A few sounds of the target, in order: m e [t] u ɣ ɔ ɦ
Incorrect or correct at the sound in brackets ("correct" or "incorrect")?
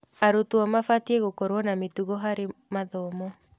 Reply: correct